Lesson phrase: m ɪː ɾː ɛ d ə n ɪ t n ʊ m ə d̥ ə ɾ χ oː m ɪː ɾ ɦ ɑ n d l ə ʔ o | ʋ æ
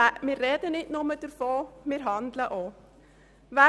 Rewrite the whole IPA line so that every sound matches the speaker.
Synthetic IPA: m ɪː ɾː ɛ d ə n ɪ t n ʊ m ə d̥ ə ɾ f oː m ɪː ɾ ɦ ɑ n d l ə ʔ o | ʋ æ